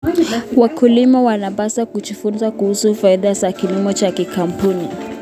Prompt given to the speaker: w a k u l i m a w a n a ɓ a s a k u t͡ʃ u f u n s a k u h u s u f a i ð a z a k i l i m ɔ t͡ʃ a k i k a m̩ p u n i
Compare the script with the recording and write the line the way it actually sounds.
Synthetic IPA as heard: w a k u l i m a w a n a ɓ a s a k u t͡ʃ u f u n z a k u h u s u f a i ð a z a k i l i m ɔ t͡ʃ a k i k a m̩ p u n i